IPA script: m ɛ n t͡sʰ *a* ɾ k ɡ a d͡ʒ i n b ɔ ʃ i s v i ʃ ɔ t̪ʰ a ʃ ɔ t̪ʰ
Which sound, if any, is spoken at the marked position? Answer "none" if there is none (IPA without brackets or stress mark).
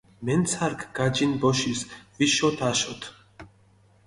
a